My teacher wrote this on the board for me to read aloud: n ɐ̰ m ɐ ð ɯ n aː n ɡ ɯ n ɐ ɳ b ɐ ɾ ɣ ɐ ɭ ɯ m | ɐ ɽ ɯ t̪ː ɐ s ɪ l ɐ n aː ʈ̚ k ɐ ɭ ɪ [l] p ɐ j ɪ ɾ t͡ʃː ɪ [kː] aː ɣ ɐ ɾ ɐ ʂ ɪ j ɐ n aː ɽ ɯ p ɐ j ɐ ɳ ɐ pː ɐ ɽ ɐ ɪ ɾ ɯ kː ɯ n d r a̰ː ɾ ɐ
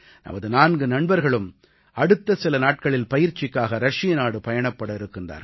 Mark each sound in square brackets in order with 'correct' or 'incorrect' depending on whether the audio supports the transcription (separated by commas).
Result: correct, correct